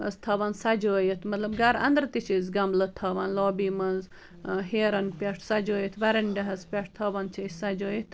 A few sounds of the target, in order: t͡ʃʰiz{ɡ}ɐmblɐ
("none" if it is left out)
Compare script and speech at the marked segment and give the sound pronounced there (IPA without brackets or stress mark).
ɡ